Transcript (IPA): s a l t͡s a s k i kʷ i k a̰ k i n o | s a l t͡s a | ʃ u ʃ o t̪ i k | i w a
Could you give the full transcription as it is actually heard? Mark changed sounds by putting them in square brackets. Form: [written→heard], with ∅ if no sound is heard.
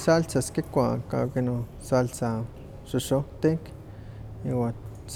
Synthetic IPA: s a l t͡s a s k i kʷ [i→a] k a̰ k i n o | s a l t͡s a | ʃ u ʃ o t̪ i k | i w a